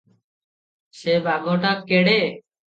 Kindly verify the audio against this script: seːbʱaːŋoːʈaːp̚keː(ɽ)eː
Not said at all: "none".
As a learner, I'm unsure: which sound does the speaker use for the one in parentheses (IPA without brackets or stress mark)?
ɽ